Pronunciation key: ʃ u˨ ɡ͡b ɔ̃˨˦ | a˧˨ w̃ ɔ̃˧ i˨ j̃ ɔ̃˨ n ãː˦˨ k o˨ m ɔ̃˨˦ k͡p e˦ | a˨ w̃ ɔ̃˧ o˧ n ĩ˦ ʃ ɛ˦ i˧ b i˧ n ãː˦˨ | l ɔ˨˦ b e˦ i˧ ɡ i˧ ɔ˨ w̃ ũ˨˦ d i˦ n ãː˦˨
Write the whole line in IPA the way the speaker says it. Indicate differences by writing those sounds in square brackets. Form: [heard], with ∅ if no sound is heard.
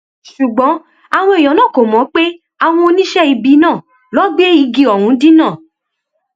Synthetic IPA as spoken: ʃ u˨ ɡ͡b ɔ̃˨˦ | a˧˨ w̃ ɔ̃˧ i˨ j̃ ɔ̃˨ n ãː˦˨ k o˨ m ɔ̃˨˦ k͡p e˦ | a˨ w̃ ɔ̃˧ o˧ n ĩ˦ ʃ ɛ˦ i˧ b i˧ n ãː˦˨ | l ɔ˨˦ [ɡ͡b] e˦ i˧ ɡ i˧ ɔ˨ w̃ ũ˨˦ d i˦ n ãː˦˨